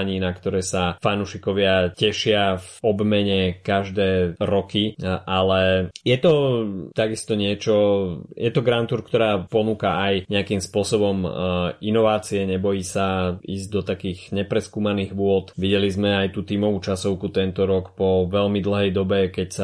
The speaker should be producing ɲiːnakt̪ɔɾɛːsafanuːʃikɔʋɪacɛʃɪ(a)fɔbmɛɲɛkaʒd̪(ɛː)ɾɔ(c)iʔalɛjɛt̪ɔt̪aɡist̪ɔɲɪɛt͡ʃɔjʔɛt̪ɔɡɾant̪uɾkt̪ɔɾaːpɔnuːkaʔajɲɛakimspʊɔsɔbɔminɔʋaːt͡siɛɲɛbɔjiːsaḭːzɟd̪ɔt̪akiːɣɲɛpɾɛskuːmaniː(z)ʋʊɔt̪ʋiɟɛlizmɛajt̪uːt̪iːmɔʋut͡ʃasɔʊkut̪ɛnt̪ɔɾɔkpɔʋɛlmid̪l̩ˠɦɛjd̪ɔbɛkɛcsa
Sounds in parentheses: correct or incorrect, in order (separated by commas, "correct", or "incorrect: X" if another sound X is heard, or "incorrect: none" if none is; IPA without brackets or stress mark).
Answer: correct, correct, incorrect: k, incorrect: ɣ